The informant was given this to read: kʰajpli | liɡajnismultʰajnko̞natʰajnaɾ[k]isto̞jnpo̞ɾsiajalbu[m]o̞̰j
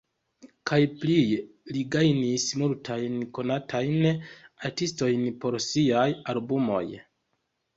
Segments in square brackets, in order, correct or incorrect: incorrect: t, correct

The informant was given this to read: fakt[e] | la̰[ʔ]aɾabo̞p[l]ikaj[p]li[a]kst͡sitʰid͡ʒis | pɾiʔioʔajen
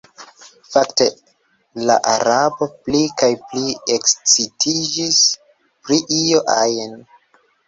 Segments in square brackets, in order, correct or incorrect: correct, correct, correct, correct, incorrect: e

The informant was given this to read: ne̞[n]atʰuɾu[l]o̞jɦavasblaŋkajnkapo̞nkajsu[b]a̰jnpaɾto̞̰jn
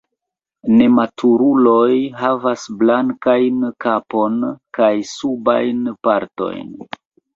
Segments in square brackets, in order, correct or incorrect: incorrect: m, correct, correct

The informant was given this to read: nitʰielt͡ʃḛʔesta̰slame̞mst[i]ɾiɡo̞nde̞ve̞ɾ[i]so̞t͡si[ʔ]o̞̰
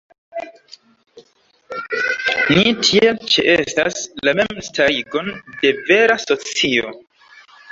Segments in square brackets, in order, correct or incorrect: incorrect: a, incorrect: a, incorrect: none

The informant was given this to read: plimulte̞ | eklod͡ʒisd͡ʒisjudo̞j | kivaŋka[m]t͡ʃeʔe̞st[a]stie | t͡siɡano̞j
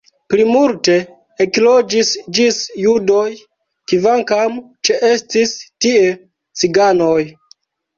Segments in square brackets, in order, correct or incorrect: correct, incorrect: i

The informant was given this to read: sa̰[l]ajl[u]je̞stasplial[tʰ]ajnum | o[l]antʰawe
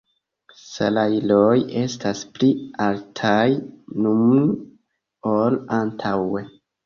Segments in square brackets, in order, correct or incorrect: correct, incorrect: o, correct, correct

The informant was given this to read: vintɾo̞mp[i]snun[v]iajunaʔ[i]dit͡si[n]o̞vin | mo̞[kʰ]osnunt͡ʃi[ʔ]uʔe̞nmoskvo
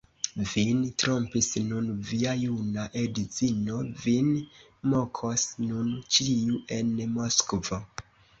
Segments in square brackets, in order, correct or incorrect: correct, correct, incorrect: e, correct, correct, incorrect: none

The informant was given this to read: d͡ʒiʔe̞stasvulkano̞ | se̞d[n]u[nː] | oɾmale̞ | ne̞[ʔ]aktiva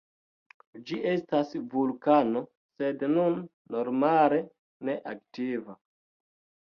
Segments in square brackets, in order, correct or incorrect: correct, correct, correct

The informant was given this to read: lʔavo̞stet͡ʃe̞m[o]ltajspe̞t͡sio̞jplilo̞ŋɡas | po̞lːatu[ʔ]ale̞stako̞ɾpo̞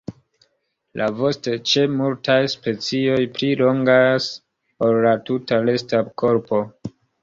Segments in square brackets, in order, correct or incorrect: incorrect: u, incorrect: t

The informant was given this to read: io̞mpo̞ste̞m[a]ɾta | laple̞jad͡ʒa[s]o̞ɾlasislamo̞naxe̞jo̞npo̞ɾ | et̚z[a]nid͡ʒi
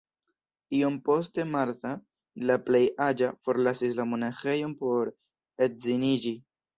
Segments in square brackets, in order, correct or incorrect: correct, incorrect: f, incorrect: i

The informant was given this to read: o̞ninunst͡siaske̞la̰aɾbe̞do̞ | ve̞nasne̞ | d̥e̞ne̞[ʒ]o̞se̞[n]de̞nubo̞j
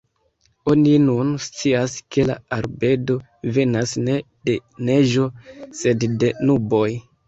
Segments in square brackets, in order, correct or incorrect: correct, incorrect: d

